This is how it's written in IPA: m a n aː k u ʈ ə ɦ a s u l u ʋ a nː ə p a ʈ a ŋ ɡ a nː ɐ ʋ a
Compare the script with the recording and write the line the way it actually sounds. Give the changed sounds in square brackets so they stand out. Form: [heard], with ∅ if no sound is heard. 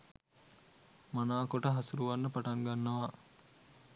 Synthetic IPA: m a n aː k [o] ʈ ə ɦ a s u [ɾ] u ʋ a nː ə p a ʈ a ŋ ɡ a nː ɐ ʋ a